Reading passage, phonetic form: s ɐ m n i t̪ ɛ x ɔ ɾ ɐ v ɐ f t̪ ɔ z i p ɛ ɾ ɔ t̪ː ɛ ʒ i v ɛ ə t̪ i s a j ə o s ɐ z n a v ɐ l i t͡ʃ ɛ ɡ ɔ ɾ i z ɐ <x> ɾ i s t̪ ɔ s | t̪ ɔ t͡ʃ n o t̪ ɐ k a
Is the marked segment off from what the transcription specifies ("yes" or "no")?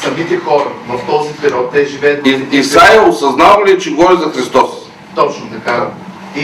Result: no